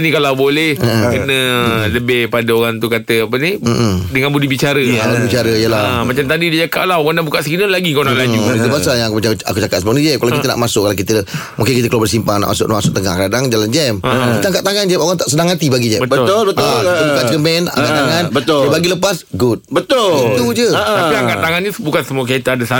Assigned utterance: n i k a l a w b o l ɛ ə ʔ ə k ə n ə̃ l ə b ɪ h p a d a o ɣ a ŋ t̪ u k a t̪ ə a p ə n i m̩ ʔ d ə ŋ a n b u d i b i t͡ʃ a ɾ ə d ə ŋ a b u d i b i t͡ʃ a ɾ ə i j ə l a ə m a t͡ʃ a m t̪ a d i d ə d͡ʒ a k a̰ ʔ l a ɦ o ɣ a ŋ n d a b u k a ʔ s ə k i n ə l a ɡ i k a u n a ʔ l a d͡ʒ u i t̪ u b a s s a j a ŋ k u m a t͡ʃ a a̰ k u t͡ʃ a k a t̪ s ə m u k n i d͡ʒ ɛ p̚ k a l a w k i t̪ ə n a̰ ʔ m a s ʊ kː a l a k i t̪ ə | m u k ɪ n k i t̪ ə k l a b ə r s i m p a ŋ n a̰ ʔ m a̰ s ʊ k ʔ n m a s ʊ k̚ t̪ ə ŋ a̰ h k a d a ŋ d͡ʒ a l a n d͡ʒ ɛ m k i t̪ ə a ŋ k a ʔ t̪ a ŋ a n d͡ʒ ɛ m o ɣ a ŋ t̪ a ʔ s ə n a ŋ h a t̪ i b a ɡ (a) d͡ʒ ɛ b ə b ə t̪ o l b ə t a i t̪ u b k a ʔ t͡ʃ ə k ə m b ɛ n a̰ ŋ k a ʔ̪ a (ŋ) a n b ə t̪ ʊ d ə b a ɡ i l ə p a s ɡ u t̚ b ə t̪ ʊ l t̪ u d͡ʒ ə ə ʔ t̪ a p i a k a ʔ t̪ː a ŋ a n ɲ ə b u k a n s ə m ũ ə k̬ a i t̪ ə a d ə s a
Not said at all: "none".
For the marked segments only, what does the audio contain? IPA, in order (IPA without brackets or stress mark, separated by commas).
i, ŋ